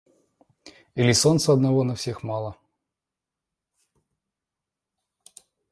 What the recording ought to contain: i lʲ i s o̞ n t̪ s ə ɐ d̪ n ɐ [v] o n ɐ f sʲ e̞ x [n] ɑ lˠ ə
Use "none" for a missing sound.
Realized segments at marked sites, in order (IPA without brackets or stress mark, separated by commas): v, m